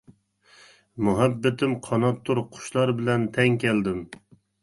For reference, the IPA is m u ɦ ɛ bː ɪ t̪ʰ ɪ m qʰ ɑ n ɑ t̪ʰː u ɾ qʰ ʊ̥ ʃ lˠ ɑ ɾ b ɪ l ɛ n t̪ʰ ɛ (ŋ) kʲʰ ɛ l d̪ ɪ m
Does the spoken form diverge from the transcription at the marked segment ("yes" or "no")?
no